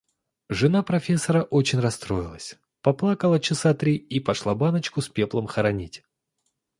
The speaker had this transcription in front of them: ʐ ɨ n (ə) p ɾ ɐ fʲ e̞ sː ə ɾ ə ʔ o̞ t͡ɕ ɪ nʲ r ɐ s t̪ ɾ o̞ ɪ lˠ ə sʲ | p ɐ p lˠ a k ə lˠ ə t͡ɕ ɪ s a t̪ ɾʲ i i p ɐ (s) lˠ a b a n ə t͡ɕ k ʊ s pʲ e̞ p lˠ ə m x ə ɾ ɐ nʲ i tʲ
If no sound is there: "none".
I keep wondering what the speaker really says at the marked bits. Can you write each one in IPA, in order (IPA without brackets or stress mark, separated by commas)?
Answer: a, ʂ